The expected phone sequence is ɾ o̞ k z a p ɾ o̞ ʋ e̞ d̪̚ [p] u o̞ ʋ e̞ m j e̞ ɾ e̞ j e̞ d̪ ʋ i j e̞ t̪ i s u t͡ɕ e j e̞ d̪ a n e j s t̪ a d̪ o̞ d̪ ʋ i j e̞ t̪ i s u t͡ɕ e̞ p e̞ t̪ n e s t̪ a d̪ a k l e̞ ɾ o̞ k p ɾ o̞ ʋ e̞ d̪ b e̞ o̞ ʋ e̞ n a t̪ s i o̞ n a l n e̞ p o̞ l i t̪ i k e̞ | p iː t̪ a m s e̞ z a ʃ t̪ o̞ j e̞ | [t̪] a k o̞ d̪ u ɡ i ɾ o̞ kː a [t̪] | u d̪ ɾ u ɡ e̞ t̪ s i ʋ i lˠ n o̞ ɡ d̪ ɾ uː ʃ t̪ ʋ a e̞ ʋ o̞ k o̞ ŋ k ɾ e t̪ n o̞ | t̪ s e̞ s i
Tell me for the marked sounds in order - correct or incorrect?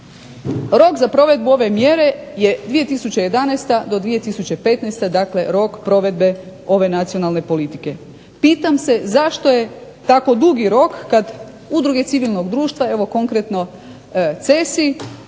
incorrect: b, correct, incorrect: d̪

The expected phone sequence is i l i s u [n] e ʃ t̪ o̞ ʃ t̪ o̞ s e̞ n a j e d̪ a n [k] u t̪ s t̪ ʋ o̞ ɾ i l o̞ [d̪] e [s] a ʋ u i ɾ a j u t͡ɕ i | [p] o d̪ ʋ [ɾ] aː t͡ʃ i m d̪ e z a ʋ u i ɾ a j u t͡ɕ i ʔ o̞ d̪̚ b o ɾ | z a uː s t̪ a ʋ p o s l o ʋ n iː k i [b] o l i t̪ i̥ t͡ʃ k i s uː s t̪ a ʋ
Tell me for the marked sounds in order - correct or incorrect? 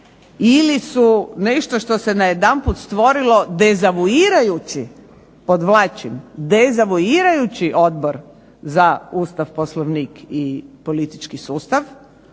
correct, incorrect: p, correct, incorrect: z, correct, incorrect: l, incorrect: p

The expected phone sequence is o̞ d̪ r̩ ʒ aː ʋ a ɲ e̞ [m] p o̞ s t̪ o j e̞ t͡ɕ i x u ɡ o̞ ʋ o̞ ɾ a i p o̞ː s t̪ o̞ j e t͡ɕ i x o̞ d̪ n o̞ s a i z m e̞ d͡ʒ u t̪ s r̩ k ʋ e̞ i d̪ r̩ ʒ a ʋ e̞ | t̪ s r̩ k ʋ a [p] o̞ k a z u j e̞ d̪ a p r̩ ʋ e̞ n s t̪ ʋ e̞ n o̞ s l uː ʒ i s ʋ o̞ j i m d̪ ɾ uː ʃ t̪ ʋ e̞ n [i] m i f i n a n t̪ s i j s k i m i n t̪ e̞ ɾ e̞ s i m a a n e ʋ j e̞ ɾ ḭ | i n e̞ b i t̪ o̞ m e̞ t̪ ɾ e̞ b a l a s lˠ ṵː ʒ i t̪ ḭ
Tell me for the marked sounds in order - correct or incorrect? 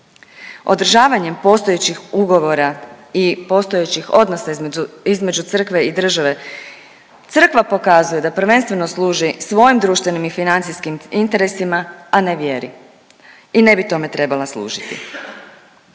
correct, correct, correct

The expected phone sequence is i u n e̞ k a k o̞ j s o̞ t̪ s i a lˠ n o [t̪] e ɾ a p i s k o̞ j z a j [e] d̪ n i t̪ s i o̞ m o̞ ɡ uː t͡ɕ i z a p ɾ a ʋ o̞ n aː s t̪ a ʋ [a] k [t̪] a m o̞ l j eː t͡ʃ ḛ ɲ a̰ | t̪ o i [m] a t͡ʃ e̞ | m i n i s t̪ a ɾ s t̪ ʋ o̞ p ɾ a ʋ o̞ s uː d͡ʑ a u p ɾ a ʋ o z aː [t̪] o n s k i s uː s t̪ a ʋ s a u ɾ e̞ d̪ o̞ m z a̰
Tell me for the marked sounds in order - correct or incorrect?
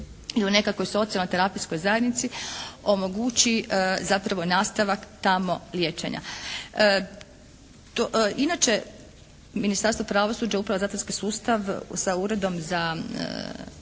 correct, correct, correct, correct, incorrect: n, correct

